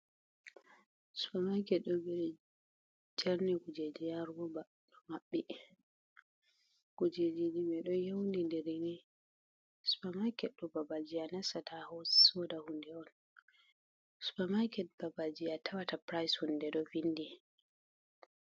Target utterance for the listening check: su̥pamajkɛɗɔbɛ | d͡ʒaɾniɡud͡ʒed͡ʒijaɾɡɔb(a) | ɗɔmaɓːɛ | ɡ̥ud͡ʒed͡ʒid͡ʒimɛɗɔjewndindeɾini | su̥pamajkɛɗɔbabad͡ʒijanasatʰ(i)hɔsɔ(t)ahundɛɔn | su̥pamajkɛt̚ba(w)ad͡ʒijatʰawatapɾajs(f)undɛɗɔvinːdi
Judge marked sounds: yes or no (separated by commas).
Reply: yes, no, no, no, no